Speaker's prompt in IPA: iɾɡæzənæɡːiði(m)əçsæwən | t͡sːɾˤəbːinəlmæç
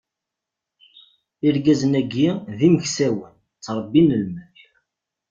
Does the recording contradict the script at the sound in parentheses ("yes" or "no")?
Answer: no